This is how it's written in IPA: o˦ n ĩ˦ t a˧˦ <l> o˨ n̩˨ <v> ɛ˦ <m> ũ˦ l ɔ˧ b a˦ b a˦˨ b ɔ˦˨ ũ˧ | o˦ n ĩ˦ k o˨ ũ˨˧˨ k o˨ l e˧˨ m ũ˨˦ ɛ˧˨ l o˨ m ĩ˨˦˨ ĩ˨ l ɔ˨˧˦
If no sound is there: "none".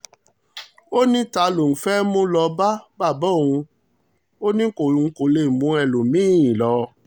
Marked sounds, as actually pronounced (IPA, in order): l, f, m

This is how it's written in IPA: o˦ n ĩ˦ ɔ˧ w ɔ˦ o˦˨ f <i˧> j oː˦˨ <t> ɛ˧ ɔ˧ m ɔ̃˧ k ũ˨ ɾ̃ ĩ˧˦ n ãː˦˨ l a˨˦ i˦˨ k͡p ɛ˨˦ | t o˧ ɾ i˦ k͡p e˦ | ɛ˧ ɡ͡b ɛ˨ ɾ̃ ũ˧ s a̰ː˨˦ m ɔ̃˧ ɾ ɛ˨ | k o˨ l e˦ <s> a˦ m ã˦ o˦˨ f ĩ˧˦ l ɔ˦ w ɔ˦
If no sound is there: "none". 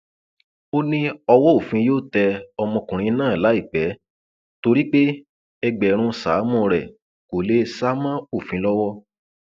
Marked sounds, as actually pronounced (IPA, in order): ĩ˧, t, s

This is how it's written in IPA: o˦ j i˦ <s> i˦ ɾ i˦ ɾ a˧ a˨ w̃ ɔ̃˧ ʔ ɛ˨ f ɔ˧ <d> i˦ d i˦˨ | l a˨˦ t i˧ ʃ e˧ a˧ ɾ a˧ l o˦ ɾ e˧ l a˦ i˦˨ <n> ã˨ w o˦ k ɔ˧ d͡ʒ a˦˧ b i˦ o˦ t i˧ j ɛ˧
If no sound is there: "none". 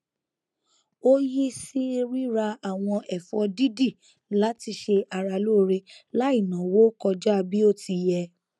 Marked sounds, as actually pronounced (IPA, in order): s, d, n

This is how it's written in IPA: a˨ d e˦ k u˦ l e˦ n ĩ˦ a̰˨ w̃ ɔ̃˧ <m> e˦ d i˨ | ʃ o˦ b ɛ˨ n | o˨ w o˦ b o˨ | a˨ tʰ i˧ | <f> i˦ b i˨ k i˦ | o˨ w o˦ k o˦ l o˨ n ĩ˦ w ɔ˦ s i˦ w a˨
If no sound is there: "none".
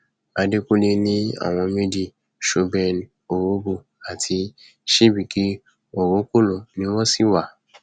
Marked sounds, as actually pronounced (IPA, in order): m, ʃ

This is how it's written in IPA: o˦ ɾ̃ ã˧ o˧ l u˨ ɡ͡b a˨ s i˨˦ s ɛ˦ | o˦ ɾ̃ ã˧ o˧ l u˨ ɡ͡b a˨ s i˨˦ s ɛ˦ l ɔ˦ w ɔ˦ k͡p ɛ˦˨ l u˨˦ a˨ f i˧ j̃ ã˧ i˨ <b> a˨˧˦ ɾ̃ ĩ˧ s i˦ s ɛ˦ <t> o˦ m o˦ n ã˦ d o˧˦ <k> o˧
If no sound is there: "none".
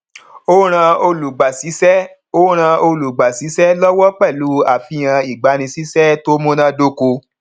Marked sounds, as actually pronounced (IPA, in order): ɡ͡b, t, k

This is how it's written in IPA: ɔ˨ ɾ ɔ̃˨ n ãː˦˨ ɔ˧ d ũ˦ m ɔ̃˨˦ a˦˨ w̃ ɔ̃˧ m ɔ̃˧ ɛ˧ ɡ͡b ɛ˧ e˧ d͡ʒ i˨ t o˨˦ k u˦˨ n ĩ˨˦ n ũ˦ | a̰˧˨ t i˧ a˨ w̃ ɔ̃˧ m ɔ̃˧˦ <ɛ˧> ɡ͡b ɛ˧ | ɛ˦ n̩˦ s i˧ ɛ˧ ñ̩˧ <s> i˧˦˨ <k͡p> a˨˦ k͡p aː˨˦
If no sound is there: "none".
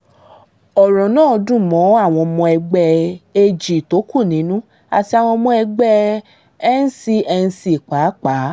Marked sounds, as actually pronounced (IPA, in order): ɛ˧, s, k͡p

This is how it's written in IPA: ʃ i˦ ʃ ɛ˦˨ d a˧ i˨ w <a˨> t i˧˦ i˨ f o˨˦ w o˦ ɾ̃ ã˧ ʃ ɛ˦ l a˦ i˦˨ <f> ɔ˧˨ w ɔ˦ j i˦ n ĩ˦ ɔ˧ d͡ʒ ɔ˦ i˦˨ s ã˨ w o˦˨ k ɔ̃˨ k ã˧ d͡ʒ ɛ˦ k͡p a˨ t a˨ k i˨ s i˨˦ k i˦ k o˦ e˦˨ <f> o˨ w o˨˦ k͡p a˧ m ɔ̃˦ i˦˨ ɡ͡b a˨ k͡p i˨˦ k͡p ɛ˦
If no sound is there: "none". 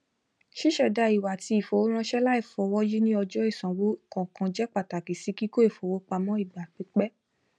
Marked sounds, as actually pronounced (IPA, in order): a˨, f, f

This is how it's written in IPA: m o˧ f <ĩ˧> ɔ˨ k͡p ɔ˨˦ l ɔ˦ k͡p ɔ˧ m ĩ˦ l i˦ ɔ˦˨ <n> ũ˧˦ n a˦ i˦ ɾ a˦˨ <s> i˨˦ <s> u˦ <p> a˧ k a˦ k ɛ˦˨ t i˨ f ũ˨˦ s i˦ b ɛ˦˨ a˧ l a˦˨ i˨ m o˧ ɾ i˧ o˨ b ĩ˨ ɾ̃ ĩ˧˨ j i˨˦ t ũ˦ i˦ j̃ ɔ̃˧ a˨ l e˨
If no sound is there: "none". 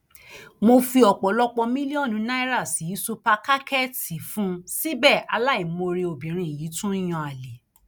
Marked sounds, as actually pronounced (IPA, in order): i˧, n, s, s, p

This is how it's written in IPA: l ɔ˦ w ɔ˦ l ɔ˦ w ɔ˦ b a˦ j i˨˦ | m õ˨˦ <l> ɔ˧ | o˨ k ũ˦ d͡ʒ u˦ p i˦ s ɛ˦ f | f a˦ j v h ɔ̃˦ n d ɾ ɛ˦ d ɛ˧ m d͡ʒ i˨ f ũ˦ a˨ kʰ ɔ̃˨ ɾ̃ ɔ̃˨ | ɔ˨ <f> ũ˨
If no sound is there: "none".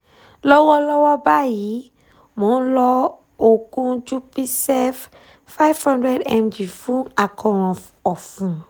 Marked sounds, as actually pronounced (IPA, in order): l, f

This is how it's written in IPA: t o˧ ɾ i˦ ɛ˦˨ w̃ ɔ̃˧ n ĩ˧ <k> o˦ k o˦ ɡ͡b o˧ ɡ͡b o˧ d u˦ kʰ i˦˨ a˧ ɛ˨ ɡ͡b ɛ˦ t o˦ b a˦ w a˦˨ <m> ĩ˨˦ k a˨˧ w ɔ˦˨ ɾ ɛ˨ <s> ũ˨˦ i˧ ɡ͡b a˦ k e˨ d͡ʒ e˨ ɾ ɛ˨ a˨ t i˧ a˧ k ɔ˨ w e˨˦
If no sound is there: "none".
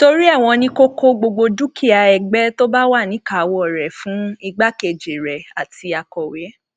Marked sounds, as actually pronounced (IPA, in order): k, n, f

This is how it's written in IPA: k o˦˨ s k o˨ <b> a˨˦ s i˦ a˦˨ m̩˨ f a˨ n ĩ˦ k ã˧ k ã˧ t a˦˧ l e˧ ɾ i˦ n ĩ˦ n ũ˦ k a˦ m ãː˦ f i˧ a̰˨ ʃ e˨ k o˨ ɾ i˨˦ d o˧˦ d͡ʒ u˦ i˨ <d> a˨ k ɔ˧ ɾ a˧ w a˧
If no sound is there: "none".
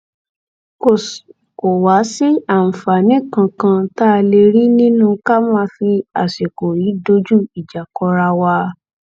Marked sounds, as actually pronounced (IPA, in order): w, d͡ʒ

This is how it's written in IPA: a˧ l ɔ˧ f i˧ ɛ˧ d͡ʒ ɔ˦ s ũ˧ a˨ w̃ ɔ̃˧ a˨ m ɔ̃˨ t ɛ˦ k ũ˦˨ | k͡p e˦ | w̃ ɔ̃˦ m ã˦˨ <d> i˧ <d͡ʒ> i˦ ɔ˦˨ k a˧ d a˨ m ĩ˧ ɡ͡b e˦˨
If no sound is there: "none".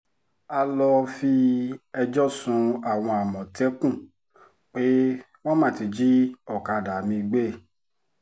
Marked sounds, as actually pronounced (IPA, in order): t, d͡ʒ

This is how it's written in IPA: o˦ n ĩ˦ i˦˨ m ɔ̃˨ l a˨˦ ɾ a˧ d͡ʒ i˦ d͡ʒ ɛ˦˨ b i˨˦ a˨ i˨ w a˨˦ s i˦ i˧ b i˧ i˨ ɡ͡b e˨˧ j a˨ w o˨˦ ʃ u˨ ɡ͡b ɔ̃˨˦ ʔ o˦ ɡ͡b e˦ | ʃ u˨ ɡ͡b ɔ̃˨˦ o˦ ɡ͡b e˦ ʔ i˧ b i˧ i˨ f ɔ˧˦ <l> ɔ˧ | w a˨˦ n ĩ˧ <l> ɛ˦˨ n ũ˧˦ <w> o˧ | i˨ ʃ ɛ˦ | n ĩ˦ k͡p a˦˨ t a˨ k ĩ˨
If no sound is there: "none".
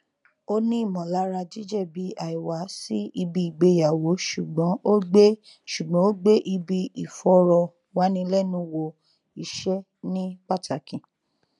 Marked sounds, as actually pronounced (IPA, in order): ɾ, l, w

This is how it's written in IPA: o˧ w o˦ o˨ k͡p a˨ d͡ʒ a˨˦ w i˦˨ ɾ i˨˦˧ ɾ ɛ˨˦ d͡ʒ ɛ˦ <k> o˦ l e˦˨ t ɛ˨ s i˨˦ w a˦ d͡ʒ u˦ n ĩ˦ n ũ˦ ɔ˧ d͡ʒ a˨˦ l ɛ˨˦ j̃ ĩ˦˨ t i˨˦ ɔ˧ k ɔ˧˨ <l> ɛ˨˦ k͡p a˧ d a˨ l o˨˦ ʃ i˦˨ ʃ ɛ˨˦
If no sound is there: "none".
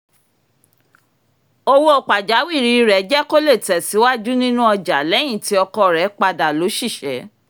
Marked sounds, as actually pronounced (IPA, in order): k, ɾ

